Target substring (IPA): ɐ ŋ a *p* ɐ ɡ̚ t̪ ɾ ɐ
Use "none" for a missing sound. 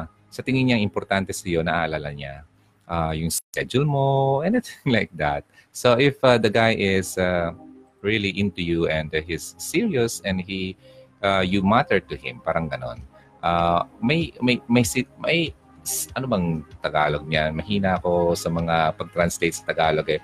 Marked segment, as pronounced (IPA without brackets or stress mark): p